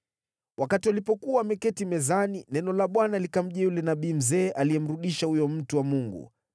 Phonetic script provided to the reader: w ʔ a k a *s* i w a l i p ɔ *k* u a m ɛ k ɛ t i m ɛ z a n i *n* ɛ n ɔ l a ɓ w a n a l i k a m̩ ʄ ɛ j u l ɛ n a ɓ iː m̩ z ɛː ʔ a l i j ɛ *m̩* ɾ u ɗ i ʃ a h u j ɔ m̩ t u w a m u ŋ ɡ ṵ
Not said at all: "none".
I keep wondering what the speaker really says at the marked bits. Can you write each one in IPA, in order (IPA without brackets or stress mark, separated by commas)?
t, k, n, m̩